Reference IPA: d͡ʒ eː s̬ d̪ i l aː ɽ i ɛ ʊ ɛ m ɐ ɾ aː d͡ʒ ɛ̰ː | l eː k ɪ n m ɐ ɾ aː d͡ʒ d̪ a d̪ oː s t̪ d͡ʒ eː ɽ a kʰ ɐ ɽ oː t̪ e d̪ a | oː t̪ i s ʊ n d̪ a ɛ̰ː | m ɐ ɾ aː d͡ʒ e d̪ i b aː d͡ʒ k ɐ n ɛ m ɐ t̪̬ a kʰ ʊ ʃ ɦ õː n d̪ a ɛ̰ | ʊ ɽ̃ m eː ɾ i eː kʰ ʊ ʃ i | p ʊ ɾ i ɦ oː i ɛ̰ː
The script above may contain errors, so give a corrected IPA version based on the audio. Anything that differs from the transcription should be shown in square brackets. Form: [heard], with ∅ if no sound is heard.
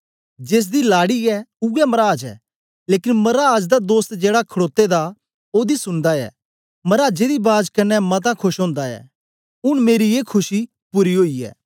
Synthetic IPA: d͡ʒ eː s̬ d̪ i l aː ɽ i ɛ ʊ ɛ m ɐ ɾ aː d͡ʒ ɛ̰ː | l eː k ɪ n m ɐ ɾ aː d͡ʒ d̪ a d̪ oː s t̪ d͡ʒ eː ɽ a kʰ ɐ ɽ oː t̪ e d̪ a | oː [d̪] i s ʊ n d̪ a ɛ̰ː | m ɐ ɾ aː d͡ʒ e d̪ i b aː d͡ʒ k ɐ n ɛ m ɐ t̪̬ a kʰ ʊ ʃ ɦ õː n d̪ a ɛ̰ | ʊ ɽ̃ m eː ɾ i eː kʰ ʊ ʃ i | p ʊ ɾ i ɦ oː i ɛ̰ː